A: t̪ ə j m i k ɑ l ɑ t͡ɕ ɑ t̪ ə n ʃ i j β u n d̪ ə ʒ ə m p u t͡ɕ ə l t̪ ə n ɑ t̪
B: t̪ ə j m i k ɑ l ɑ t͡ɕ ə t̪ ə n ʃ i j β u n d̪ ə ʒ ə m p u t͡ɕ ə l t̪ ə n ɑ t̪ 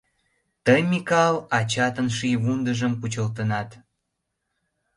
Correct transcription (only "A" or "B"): A